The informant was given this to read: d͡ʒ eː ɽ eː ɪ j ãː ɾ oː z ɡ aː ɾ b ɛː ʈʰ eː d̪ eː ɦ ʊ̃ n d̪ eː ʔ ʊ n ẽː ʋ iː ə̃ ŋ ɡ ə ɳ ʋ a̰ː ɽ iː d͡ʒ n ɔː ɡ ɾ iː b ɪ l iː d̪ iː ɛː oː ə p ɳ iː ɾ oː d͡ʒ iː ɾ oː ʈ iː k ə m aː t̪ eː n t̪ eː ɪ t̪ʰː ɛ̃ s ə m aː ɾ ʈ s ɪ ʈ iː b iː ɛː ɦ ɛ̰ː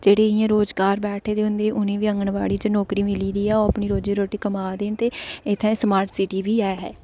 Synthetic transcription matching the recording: d͡ʒ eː ɽ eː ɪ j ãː ɾ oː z ɡ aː ɾ b ɛː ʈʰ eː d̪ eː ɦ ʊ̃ n d̪ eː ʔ ʊ n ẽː ʋ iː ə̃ ŋ ɡ ə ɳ ʋ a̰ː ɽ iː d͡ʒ n ɔː k ɾ iː m ɪ l iː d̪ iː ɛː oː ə p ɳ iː ɾ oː d͡ʒ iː ɾ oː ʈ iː k ə m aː d̪ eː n t̪ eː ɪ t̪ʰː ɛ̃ s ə m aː ɾ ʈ s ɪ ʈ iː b iː ɛː ɦ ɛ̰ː